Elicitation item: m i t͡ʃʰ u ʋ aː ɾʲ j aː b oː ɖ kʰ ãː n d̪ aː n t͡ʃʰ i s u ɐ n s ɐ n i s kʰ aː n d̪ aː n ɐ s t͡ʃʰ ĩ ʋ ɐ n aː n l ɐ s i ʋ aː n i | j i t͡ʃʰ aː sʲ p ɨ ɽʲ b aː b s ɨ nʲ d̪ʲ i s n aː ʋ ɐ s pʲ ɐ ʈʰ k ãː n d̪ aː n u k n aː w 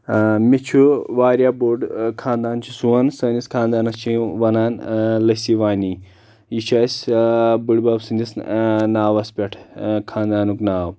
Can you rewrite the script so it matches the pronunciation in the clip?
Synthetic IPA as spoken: m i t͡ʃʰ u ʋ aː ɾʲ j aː b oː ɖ kʰ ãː n d̪ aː n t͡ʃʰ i s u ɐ n s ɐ n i s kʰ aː n d̪ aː n ɐ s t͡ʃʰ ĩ ʋ ɐ n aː n l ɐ s i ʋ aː n i | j i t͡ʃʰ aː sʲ b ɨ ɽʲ b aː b s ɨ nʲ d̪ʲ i s n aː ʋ ɐ s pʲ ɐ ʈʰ kʰ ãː n d̪ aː n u k n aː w